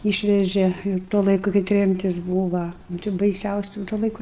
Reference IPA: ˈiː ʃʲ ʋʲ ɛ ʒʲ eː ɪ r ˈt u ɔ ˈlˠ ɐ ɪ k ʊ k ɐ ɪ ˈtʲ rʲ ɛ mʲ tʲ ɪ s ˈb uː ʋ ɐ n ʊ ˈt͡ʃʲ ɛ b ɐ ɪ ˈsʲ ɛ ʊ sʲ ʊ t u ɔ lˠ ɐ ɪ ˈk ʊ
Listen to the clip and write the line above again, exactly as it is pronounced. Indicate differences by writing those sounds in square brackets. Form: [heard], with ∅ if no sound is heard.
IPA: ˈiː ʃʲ ʋʲ ɛ ʒʲ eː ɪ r ˈt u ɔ ˈlˠ ɐ ɪ k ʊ k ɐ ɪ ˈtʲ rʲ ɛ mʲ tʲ ɪ s ˈb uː ʋ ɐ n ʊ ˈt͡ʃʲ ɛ b ɐ ɪ ˈsʲ ɛ ʊ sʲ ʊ t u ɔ lˠ ɐ ɪ ˈk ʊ